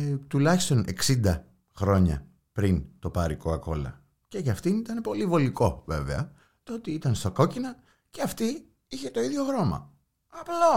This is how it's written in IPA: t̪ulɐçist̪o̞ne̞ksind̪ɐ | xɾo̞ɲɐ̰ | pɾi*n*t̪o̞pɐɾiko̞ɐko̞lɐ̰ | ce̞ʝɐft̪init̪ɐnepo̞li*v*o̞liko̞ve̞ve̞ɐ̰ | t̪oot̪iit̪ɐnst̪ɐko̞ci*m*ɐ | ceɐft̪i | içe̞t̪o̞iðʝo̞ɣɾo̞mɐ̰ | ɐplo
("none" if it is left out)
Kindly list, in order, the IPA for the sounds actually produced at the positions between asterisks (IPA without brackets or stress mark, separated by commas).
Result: n, v, n